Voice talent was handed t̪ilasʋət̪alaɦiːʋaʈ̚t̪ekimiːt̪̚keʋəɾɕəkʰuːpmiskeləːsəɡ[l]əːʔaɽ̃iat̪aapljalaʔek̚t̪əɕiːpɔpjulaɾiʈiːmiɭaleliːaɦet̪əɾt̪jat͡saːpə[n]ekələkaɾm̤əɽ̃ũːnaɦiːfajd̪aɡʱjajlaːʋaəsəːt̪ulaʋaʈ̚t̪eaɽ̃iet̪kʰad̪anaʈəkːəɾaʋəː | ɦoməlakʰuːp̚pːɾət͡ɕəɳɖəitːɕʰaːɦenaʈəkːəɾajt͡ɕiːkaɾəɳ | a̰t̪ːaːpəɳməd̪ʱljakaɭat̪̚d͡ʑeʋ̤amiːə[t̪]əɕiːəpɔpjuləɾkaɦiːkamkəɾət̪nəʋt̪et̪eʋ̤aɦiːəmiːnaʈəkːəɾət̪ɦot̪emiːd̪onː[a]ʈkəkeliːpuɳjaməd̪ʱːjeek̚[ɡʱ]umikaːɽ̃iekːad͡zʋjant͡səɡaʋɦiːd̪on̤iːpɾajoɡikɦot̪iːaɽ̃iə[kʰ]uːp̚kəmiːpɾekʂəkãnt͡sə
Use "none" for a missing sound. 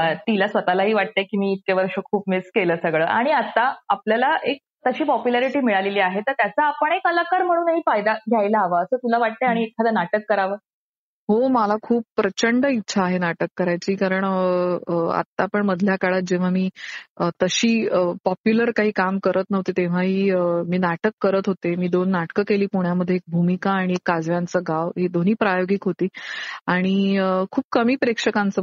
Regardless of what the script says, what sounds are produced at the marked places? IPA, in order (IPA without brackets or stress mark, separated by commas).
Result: ɭ, ɳ, t̪, a, bʱ, kʰ